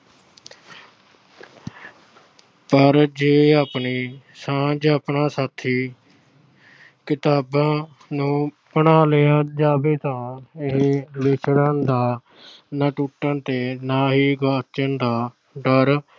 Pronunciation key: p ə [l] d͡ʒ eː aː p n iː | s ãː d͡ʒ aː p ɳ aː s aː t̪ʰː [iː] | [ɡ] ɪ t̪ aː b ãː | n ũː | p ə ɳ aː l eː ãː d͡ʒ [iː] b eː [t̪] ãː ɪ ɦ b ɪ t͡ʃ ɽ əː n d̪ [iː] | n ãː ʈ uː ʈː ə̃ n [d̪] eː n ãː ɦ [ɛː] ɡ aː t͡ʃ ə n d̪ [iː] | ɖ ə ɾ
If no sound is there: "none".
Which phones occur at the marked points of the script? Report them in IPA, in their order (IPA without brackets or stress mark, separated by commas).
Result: ɾ, iː, k, aː, t̪, aː, t̪, iː, aː